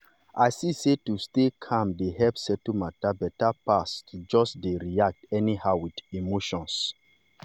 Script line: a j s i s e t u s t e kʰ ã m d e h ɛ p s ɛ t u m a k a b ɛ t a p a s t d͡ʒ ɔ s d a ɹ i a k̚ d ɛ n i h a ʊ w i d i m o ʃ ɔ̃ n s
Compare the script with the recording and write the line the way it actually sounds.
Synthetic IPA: a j s i s e t u s t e kʰ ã m d e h ɛ p s ɛ t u m a t a b ɛ t a p a s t d͡ʒ ɔ s d e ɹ i a k̚ t ɛ n i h a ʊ w i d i m o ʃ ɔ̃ n s